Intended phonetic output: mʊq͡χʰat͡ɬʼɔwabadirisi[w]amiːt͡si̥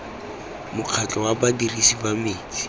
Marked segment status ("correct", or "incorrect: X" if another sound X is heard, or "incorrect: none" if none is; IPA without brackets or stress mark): incorrect: b